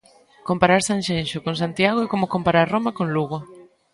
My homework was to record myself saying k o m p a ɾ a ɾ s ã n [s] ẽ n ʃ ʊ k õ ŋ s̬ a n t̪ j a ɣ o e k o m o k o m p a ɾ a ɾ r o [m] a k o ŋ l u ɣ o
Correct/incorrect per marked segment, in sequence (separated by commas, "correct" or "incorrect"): incorrect, correct